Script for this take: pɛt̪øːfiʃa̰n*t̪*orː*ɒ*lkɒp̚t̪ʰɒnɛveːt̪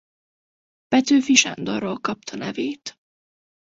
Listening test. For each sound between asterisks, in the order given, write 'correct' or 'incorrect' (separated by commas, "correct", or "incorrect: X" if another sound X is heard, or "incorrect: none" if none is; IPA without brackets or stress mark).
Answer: incorrect: d̪, incorrect: o